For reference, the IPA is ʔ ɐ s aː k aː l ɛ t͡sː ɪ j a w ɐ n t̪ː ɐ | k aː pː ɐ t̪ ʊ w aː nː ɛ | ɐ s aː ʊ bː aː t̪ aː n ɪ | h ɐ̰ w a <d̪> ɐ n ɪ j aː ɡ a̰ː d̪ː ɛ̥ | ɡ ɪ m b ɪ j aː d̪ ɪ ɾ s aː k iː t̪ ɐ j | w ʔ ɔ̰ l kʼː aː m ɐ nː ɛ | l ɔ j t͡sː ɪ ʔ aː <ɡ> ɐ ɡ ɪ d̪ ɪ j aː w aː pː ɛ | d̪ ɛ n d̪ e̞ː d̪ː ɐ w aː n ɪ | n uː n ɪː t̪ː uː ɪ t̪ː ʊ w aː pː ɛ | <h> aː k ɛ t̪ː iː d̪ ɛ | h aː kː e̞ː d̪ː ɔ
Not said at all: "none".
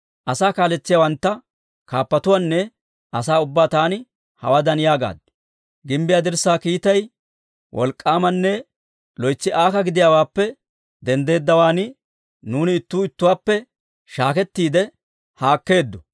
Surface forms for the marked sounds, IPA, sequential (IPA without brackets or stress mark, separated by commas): d̪, k, ʃ